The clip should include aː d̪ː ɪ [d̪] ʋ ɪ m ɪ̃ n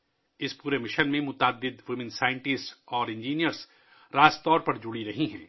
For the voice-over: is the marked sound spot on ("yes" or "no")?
yes